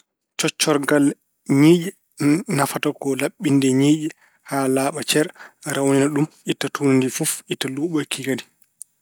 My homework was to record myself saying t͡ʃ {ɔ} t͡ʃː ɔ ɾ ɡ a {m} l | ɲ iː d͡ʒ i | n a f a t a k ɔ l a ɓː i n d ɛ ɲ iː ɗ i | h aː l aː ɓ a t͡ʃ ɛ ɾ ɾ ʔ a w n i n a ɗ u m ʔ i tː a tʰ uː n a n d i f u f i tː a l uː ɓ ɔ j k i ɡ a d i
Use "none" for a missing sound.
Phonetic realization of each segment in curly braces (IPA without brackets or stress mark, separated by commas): ɔ, none